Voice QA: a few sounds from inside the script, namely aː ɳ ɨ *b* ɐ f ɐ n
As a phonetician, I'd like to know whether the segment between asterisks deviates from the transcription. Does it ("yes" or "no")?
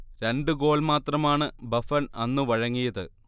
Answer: no